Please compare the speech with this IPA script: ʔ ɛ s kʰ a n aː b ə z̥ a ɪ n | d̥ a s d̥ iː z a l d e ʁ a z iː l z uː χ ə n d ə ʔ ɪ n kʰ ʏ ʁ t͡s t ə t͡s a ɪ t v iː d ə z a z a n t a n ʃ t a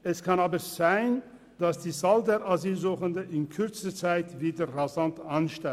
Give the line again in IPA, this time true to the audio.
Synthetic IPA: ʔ ɛ s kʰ a n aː b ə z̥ a ɪ n | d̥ a s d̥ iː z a l d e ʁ a z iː l z uː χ ə n d ə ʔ ɪ n kʰ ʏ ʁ t͡s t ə t͡s a ɪ t v iː d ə ʁ a z a n t a n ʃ t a